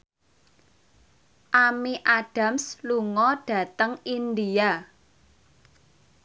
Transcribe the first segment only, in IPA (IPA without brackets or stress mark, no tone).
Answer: ʔ